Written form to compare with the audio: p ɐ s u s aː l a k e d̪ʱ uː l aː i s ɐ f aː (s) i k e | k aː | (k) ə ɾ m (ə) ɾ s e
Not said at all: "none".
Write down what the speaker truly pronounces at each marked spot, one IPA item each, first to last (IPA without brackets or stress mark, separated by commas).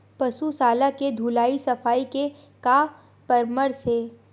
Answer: none, p, ə